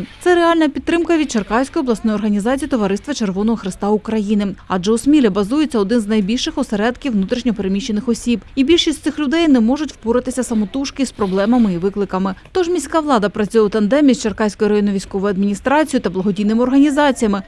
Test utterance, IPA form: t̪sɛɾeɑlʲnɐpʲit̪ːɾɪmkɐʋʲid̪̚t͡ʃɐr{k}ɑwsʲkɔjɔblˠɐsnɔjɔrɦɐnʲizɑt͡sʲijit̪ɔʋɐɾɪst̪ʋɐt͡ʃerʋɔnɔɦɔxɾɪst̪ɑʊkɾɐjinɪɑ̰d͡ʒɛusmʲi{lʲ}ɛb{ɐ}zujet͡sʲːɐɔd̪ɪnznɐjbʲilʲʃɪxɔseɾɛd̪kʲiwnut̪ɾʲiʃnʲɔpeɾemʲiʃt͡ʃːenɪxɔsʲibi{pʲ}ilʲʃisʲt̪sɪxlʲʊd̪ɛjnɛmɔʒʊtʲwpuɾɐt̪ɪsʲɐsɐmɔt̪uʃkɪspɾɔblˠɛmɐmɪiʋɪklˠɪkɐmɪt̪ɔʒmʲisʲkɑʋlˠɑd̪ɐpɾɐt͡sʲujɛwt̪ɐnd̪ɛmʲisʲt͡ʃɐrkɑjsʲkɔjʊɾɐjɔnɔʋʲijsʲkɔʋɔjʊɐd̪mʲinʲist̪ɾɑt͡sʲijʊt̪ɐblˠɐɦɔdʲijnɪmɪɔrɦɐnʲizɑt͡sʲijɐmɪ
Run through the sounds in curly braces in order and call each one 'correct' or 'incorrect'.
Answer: correct, correct, correct, incorrect

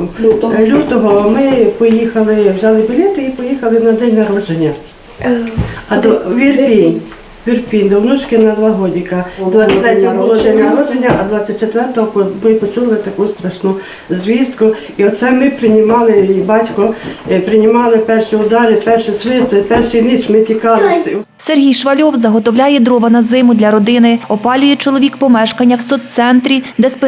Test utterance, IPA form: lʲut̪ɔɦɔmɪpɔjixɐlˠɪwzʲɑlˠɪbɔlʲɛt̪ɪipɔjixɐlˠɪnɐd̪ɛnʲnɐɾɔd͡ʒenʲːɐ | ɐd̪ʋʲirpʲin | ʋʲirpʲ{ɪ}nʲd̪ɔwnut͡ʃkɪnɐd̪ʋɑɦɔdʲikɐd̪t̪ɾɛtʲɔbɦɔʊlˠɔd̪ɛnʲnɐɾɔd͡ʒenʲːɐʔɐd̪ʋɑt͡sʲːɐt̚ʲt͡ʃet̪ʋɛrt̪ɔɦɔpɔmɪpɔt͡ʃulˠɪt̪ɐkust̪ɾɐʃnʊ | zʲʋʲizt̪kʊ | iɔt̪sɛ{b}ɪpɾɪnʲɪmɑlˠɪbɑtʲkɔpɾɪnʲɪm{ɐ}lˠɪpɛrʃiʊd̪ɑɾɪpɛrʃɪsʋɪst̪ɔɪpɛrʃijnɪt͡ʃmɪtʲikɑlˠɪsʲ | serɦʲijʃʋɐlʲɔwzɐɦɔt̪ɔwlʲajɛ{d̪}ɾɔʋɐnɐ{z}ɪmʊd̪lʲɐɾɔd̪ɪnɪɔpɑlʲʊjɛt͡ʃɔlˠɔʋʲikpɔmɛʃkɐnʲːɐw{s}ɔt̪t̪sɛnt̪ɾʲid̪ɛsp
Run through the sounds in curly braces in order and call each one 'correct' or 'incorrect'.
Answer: incorrect, incorrect, incorrect, correct, correct, correct

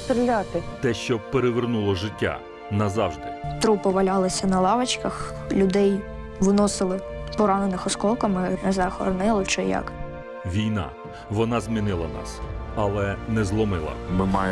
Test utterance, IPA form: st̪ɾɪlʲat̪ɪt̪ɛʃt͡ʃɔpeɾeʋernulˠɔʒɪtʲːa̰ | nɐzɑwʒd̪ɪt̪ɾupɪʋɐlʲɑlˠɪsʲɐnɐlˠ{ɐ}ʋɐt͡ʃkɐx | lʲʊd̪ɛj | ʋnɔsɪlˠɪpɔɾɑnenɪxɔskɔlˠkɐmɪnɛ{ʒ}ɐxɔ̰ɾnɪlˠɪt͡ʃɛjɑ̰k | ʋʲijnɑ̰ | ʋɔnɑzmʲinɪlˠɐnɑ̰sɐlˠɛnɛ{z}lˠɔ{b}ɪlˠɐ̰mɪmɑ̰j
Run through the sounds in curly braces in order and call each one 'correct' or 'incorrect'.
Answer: incorrect, incorrect, correct, incorrect

